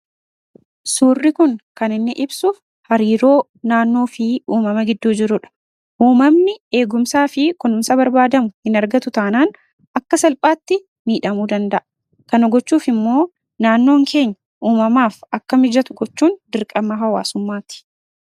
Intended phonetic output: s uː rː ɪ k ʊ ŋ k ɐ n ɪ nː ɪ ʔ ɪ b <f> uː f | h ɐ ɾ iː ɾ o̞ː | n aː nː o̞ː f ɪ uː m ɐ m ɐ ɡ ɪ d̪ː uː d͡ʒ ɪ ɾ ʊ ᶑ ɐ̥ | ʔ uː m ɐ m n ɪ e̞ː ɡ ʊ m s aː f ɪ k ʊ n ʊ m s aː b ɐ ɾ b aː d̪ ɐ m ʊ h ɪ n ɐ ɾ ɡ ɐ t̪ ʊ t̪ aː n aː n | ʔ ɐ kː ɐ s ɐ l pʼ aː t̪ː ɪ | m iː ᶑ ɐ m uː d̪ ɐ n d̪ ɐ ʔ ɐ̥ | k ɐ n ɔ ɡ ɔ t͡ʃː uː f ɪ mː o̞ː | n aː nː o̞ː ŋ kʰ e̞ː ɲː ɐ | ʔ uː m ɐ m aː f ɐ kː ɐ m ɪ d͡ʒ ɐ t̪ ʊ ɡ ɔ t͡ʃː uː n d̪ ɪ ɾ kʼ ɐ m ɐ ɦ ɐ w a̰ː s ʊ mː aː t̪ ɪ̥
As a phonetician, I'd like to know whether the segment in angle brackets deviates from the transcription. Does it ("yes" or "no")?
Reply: yes